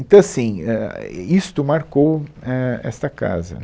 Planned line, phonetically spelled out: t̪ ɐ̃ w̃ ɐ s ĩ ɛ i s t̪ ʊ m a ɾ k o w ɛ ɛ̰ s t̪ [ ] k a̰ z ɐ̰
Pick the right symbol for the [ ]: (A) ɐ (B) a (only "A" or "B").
A